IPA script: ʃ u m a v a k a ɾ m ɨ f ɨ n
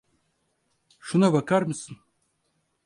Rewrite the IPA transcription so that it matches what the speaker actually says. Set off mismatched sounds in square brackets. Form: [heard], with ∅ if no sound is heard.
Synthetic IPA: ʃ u [n] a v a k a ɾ m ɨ [s] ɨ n